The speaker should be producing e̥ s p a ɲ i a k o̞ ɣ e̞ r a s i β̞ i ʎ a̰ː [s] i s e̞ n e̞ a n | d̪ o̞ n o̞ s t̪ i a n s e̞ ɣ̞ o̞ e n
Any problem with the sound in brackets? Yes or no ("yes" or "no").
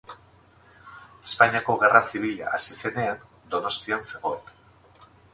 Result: no